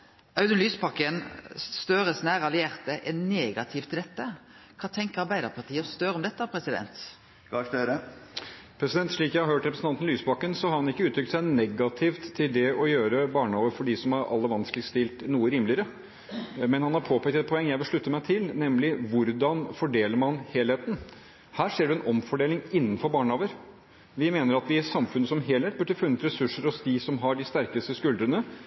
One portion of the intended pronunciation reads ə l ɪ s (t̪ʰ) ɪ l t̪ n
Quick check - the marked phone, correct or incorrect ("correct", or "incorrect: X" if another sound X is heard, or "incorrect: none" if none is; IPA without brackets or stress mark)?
incorrect: t̪